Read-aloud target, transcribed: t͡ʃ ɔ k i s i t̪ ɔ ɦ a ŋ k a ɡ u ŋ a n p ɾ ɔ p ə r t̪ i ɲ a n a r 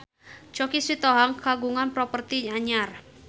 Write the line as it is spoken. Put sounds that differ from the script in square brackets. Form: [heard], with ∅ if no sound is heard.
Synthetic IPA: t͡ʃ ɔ k i s i t̪ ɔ ɦ a ŋ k a ɡ u ŋ a n p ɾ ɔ p ə r t̪ i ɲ a [ɲ] a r